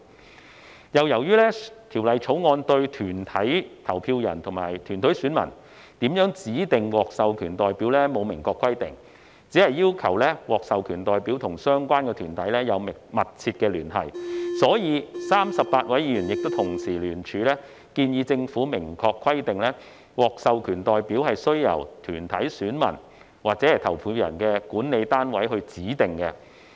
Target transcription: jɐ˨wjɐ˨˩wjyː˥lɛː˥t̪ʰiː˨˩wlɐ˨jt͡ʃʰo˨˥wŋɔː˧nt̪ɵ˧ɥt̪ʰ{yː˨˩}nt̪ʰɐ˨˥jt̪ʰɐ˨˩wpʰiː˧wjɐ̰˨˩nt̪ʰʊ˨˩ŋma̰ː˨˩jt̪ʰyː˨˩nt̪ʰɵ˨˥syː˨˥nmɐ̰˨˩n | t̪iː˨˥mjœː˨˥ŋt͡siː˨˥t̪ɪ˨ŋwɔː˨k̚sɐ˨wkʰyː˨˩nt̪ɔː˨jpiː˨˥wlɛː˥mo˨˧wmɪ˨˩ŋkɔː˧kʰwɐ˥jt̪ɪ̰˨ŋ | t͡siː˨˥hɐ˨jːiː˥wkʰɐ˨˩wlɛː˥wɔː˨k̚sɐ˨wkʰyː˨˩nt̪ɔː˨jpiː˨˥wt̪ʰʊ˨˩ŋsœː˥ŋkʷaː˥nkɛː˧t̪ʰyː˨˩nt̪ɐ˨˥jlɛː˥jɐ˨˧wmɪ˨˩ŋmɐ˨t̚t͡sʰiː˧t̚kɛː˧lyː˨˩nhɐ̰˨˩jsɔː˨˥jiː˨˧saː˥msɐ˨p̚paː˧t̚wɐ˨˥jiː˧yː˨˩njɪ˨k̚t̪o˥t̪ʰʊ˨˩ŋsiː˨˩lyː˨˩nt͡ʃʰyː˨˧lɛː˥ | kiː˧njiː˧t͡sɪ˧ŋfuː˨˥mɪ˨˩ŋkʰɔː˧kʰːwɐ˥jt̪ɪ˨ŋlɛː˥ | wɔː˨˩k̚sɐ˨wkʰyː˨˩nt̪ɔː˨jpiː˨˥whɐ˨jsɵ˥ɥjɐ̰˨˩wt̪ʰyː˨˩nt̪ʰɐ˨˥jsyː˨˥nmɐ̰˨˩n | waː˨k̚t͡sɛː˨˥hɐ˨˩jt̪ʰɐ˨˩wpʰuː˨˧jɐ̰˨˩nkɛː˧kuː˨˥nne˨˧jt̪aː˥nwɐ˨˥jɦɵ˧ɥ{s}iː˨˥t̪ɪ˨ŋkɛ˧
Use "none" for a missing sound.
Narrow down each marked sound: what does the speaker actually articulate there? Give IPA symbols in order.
yː˨˩, t͡s

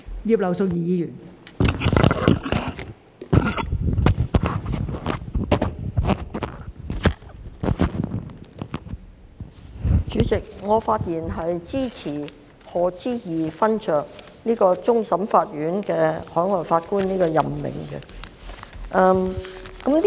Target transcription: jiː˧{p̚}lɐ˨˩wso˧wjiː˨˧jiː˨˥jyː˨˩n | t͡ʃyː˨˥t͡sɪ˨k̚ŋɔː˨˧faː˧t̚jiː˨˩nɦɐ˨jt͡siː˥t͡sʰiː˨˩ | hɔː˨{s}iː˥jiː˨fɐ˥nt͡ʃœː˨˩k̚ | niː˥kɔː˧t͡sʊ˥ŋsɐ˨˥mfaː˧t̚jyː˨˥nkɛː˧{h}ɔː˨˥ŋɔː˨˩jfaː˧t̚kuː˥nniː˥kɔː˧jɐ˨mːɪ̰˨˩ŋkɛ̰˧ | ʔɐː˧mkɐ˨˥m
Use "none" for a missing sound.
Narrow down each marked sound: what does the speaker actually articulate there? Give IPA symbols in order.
p̚, t͡s, h

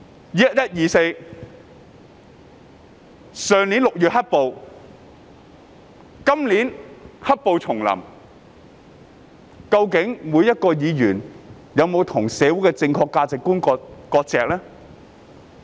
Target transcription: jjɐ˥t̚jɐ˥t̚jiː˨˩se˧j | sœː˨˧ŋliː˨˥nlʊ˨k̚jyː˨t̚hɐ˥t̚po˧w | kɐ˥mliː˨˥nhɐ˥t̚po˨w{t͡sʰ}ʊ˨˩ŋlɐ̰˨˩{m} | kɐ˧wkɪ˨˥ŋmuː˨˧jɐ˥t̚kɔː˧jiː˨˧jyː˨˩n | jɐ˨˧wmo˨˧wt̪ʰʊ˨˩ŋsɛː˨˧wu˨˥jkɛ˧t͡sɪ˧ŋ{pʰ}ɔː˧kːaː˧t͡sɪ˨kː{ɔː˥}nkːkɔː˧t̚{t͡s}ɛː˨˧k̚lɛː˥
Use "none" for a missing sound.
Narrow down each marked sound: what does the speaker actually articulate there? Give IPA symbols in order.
t͡sʰ, m, kʰ, uː˥, t͡s

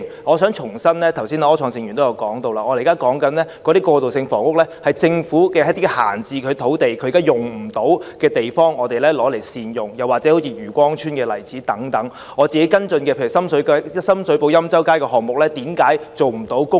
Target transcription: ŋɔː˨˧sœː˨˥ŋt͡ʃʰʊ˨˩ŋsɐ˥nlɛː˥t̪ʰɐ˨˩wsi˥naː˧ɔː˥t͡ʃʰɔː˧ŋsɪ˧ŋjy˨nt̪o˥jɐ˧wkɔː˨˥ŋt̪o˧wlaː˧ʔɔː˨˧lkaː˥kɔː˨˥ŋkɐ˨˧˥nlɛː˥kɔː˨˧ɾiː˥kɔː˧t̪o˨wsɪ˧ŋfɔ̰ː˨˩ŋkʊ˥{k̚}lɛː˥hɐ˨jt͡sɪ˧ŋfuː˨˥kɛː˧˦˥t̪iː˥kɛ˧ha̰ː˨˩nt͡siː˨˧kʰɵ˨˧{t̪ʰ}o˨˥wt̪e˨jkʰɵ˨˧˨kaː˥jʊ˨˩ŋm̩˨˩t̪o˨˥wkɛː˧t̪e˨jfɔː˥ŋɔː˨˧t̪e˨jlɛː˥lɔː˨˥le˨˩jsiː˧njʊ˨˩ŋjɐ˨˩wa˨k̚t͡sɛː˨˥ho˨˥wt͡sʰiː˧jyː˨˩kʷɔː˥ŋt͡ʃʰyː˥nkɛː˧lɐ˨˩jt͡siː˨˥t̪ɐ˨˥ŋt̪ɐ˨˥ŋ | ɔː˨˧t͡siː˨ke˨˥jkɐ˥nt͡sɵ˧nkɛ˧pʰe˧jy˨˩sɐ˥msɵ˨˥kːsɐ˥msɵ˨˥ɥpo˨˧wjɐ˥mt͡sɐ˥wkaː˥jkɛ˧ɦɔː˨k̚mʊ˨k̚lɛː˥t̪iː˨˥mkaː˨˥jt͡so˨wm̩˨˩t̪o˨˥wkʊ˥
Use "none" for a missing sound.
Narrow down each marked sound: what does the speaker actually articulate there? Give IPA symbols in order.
k̚, t̪ʰ

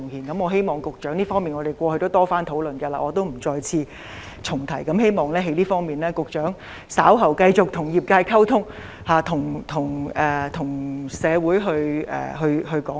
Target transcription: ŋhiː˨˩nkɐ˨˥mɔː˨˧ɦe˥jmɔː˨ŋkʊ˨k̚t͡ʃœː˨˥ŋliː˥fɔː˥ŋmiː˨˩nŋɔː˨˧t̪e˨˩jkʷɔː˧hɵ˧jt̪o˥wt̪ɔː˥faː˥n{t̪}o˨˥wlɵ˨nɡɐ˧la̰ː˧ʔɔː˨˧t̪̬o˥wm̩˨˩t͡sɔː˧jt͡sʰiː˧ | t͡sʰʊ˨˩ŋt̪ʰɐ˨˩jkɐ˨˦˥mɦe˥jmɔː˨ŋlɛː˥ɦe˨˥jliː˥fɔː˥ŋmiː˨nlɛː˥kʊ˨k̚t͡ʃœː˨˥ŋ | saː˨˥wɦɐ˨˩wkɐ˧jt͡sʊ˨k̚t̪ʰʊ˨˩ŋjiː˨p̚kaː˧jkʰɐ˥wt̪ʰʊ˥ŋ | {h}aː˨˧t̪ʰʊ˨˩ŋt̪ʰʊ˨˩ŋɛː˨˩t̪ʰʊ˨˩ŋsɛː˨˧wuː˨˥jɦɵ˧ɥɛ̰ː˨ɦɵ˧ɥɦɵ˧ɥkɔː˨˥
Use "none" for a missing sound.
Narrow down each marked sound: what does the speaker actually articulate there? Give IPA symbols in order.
t̪ʰ, h

